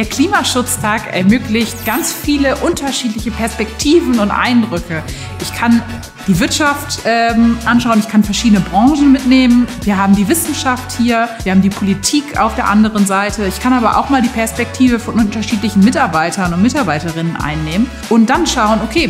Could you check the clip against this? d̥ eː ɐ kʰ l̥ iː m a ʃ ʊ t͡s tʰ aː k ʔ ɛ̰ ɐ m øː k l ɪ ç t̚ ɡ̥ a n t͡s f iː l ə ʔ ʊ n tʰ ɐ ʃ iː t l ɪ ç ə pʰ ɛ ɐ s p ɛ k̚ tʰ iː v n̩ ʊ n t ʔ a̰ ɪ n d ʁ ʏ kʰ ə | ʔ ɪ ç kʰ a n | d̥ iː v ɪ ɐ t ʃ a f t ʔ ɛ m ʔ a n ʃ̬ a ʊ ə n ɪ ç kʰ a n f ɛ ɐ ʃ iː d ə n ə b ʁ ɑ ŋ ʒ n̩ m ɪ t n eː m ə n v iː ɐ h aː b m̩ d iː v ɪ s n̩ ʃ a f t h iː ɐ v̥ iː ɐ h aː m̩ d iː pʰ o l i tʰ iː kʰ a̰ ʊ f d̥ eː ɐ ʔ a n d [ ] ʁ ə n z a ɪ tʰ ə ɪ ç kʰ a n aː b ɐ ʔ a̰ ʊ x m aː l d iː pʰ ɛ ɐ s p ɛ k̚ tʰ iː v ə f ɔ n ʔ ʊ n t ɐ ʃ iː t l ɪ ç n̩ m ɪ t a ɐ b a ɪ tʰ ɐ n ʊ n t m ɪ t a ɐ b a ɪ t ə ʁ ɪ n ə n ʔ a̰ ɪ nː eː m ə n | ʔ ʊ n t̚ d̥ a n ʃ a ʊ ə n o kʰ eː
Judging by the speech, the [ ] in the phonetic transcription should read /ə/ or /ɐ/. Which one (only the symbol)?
ə